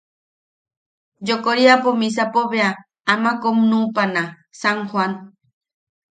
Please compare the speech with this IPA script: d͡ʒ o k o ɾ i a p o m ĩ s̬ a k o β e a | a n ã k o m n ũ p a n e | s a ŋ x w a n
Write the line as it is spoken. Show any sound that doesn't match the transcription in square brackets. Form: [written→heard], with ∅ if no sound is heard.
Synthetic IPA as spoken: d͡ʒ o k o ɾ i a p o m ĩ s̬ a [k→p] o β e a | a [n→m] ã k o m n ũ p a n [e→a] | s a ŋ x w a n